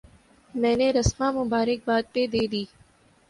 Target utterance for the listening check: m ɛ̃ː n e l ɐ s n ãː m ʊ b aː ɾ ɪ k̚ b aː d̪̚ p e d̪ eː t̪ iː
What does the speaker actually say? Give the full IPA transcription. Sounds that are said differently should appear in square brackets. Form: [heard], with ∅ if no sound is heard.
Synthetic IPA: m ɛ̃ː n e [ɾ] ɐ s [m] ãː m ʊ b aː ɾ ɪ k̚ b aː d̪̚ p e d̪ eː [d̪] iː